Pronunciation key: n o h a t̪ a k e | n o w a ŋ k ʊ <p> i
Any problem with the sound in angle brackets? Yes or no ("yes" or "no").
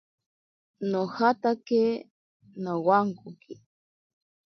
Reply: yes